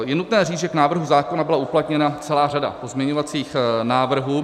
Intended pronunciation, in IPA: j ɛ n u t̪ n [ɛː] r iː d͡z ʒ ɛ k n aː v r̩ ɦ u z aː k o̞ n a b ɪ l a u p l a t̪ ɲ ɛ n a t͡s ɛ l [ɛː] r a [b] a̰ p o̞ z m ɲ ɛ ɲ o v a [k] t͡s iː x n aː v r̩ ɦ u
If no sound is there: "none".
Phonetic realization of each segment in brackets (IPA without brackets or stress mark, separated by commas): ɛː, aː, d, none